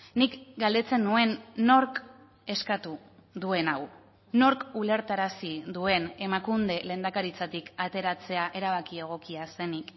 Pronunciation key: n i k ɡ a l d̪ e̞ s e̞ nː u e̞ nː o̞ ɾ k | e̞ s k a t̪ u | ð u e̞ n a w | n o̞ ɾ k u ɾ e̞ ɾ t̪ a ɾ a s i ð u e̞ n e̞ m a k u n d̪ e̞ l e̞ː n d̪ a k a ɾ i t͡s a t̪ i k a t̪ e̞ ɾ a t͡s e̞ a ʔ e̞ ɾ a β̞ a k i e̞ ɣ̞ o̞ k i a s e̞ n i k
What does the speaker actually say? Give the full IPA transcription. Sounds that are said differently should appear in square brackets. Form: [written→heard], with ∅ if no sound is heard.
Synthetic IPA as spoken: n i k ɡ a l d̪ e̞ [s→t͡s] e̞ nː u e̞ nː o̞ ɾ k | e̞ s k a t̪ u | ð u e̞ n a w | n o̞ ɾ k u [ɾ→l] e̞ ɾ t̪ a ɾ a s i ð u e̞ n e̞ m a k u n d̪ e̞ l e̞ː n d̪ a k a ɾ i t͡s a t̪ i k a t̪ e̞ ɾ a t͡s e̞ a ʔ e̞ ɾ a β̞ a k i e̞ ɣ̞ o̞ k i a s e̞ n i k